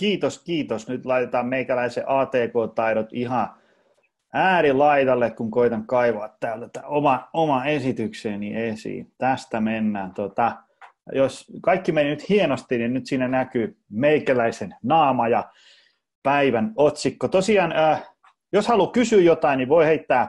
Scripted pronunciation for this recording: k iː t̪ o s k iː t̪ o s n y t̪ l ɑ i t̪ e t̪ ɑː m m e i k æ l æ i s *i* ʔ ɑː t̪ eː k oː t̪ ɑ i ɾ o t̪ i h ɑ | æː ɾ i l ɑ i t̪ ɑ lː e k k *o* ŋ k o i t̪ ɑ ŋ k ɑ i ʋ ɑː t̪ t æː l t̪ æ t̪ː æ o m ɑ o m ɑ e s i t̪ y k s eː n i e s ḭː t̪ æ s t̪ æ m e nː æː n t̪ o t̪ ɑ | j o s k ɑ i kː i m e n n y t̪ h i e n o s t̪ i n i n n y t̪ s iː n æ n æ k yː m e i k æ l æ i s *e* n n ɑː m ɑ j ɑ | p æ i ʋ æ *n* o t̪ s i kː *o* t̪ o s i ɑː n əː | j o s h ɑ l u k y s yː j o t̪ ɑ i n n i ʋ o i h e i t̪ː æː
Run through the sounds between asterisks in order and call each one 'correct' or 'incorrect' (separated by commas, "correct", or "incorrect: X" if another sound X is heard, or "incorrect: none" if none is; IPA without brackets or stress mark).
incorrect: e, incorrect: u, correct, correct, correct